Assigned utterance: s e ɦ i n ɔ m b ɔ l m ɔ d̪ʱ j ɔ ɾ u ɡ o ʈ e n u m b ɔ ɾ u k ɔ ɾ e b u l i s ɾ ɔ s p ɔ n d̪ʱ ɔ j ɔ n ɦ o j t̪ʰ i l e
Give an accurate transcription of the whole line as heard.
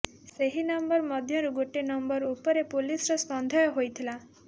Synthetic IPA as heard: s e ɦ i n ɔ m b ɔ ɾ m ɔ d̪ʱ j ɔ ɾ u ɡ o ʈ e n ɔ m b ɔ ɾ u p ɔ ɾ e p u l i s ɾ ɔ s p ɔ n d̪ʱ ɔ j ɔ ɦ o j t̪ʰ i l a

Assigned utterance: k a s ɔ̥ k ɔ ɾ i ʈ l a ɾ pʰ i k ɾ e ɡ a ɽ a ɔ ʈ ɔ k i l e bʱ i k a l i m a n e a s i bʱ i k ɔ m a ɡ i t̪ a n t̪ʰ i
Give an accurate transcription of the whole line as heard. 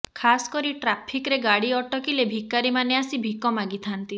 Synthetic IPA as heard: kʰ a s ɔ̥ k ɔ ɾ i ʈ ɾ a pʰ i k ɾ e ɡ a ɽ i ɔ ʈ ɔ k i l e bʱ i k a ɾ i m a n e a s i bʱ i k ɔ m a ɡ i t̪ʰ a n t̪ i

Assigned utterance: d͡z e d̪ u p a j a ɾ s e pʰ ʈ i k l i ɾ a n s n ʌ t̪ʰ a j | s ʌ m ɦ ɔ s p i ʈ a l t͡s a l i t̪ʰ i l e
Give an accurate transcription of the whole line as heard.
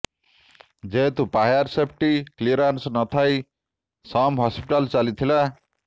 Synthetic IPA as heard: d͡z e t̪ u p a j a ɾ s e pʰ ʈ i k l i ɾ a n s n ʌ t̪ʰ a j | s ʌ m ɦ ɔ s p i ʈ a l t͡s a l i t̪ʰ i l a

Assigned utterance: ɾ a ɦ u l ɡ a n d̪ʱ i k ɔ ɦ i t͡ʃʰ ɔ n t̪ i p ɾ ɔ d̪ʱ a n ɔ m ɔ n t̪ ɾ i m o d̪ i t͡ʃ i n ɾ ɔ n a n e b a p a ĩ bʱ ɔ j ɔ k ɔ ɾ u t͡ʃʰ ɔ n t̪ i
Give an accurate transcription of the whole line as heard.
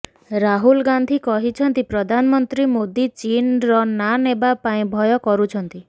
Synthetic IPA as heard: ɾ a ɦ u l ɡ a n d̪ʱ i k ɔ ɦ i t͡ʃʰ ɔ n t̪ i p ɾ ɔ d̪ʱ a n ɔ m ɔ n t̪ ɾ i m o d̪ i t͡ʃ i n ɾ ɔ n a n e b a p a ĩ bʱ ɔ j ɔ k ɔ ɾ u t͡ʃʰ ɔ n t̪ i

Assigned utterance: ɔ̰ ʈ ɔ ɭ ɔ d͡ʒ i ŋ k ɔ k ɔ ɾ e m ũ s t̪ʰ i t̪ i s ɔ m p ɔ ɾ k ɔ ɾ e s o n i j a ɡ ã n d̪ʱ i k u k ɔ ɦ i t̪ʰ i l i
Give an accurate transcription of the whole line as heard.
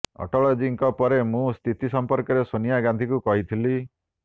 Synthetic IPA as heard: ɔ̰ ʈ ɔ ɭ ɔ d͡ʒ i ŋ k ɔ p ɔ ɾ e m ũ s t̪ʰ i t̪ i s ɔ m p ɔ ɾ k ɔ ɾ e s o n i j a ɡ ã n d̪ʱ i k u k ɔ ɦ i t̪ʰ i l i

